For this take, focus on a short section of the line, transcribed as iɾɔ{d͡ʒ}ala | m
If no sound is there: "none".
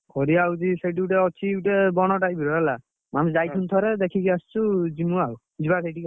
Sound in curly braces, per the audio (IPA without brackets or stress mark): none